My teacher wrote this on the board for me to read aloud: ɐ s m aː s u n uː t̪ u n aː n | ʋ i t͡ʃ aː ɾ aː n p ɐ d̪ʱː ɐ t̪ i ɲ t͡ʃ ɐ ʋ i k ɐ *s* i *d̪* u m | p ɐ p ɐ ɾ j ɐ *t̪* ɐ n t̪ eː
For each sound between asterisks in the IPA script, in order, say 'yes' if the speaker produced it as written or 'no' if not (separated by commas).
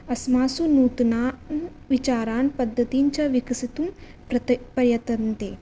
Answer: yes, no, yes